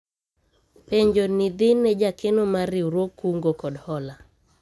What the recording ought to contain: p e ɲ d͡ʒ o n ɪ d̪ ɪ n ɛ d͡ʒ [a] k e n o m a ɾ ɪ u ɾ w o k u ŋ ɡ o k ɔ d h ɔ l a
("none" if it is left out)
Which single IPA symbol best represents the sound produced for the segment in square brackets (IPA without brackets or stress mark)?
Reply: a